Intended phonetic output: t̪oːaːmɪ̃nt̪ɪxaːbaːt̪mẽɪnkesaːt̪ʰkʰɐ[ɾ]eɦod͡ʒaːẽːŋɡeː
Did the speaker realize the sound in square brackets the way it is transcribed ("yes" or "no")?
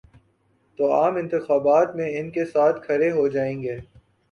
yes